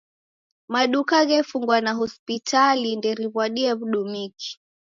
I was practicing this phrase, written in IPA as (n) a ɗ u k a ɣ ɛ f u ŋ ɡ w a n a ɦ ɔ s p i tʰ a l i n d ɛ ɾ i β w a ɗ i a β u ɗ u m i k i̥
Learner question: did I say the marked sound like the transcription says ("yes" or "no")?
no